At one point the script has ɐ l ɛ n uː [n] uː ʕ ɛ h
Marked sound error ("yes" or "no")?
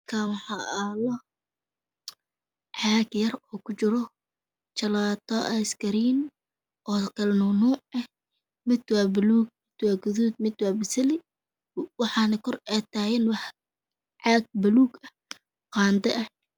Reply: no